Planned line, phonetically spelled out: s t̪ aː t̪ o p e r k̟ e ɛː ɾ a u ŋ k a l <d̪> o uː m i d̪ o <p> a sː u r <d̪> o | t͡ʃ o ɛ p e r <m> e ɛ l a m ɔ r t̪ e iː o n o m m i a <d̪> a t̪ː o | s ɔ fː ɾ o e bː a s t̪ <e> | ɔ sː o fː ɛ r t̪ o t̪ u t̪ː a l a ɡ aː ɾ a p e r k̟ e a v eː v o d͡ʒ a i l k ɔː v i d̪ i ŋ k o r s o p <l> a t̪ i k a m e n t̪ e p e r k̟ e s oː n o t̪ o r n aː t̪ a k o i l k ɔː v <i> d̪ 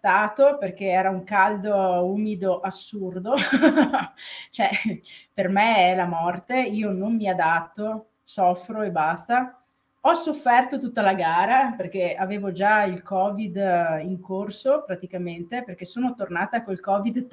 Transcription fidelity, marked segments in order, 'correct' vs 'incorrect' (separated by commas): correct, incorrect, correct, correct, correct, incorrect, incorrect, correct